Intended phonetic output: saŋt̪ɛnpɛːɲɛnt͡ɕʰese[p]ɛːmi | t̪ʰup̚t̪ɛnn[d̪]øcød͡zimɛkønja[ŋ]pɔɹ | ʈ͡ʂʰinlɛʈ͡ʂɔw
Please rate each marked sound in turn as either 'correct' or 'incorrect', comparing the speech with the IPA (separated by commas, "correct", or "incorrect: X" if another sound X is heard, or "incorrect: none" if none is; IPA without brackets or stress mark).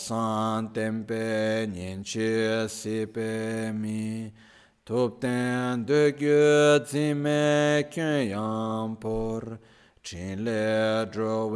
correct, correct, correct